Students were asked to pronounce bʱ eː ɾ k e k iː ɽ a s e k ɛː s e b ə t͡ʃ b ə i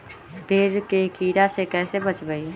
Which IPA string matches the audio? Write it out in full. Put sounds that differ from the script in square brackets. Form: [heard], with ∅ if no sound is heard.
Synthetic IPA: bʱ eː ɾ k e k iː [ɾ] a s e k ɛː s e b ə t͡ʃ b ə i